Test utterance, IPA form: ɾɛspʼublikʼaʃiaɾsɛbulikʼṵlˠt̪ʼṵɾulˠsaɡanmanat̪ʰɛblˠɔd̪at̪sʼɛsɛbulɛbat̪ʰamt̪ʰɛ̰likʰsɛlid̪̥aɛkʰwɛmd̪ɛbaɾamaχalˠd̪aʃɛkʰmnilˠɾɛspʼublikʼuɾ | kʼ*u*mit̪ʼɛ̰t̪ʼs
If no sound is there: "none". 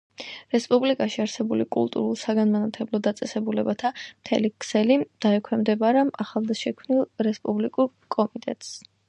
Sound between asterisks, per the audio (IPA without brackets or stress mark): ɔ